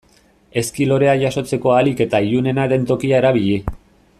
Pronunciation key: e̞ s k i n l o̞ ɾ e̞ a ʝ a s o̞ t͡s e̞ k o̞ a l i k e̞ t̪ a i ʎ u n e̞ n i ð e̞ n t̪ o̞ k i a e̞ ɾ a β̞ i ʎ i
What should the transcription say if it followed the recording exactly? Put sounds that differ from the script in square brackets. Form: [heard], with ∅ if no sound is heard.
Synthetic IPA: e̞ s k i [∅] l o̞ ɾ e̞ a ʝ a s o̞ t͡s e̞ k o̞ a l i k e̞ t̪ a i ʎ u n e̞ n [a] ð e̞ n t̪ o̞ k i a e̞ ɾ a β̞ i ʎ i